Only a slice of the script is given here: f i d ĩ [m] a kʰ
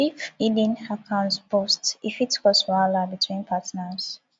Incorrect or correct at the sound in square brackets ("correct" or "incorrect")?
incorrect